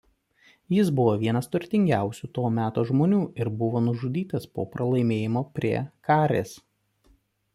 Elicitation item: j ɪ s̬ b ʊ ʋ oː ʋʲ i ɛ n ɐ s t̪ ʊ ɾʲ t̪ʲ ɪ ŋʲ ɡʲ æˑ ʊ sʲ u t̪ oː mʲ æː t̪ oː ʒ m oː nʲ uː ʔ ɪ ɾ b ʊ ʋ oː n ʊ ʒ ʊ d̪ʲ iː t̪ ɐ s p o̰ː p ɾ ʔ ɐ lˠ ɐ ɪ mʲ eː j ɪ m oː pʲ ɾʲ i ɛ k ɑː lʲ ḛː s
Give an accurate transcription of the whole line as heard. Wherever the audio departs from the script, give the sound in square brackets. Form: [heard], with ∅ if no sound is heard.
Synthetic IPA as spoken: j ɪ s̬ b ʊ ʋ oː ʋʲ i ɛ n ɐ s t̪ ʊ ɾʲ t̪ʲ ɪ ŋʲ ɡʲ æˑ ʊ sʲ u t̪ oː mʲ æː t̪ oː ʒ m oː nʲ uː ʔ ɪ ɾ b ʊ ʋ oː n ʊ ʒ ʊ d̪ʲ iː t̪ ɐ s p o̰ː p ɾ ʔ ɐ lˠ ɐ ɪ mʲ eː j ɪ m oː pʲ ɾʲ i ɛ k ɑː [ɾʲ] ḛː s